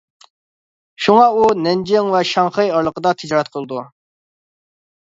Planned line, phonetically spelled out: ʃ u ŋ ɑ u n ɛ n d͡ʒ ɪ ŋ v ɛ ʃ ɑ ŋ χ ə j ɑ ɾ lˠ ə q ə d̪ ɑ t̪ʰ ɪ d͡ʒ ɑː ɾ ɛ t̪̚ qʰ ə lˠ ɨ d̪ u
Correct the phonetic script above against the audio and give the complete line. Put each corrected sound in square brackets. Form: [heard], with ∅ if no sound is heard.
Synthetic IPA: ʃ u ŋ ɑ u n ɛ n d͡ʒ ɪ ŋ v ɛ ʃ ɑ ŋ χ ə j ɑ ɾ lˠ ə q ə d̪ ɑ t̪ʰ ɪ d͡ʒ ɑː ɾ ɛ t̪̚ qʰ ə lˠ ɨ d̪ u